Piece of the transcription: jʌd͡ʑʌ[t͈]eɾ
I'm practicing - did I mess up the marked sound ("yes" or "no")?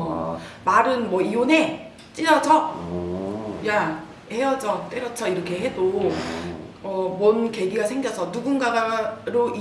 no